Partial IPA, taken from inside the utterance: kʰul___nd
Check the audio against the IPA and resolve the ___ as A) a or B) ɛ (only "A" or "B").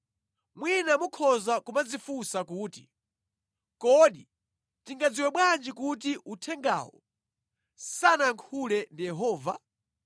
B